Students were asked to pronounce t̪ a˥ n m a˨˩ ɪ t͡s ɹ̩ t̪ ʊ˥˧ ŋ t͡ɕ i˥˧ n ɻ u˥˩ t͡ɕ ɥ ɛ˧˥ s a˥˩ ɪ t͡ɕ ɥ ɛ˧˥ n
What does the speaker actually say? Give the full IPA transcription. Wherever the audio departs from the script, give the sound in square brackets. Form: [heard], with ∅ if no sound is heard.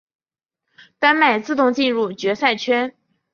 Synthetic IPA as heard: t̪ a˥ n m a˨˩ ɪ t͡s ɹ̩ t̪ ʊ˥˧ ŋ t͡ɕ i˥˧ n ɻ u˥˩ t͡ɕ ɥ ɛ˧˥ s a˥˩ ɪ [t͡ɕʰ] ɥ [ɛ˥] n